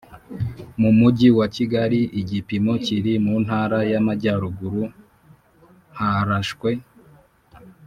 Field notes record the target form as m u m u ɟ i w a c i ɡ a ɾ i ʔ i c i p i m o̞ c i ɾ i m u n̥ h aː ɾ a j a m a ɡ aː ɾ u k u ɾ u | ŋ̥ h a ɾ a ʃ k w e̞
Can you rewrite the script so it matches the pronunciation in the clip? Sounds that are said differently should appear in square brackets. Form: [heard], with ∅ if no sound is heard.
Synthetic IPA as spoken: m u m u ɟ i w a c i ɡ a ɾ i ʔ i [ɟ] i p i m o̞ c i ɾ i m u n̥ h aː ɾ a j a m a [ɟ] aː ɾ u [ɡ] u ɾ u | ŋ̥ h a ɾ a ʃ k w e̞